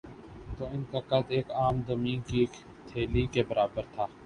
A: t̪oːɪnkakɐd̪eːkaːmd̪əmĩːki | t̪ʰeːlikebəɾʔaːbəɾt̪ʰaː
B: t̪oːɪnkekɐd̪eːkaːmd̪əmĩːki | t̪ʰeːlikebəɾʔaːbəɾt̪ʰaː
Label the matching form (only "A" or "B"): A